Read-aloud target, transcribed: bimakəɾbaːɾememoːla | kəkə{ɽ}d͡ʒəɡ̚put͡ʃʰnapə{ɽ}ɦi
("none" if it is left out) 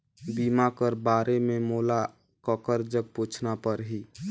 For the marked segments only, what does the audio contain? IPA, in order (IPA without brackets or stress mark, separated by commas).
ɾ, ɾ